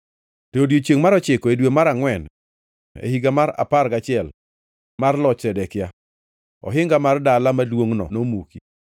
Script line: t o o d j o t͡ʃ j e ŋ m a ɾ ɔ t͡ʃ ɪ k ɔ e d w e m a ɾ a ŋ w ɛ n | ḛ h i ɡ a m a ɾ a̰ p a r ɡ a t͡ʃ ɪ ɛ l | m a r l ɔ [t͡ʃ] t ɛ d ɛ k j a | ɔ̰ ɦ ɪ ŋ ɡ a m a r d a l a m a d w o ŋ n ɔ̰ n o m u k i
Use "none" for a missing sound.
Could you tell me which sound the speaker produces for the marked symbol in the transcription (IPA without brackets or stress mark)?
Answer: t͡ʃ